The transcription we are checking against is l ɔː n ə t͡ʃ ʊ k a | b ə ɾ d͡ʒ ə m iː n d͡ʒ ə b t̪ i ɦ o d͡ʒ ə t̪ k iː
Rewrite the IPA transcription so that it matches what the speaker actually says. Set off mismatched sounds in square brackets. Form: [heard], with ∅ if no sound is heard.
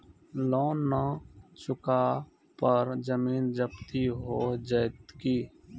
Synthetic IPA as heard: l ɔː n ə t͡ʃ ʊ k a | [p] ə ɾ d͡ʒ ə m iː n d͡ʒ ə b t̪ i ɦ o d͡ʒ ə t̪ k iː